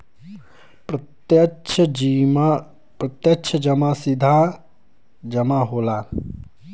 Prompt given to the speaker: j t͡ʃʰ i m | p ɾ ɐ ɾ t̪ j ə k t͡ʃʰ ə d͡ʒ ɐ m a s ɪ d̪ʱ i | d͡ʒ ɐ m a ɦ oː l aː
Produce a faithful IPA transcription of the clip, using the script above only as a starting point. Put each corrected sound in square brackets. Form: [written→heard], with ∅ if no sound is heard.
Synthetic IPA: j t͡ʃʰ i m | p ɾ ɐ [ɾ→∅] t̪ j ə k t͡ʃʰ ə d͡ʒ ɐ m a s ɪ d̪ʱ [i→a] | d͡ʒ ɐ m a ɦ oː l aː